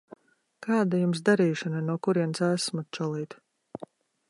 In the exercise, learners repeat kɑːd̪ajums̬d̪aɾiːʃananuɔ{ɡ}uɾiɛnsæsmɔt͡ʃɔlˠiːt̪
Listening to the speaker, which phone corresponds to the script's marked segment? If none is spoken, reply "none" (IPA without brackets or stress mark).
k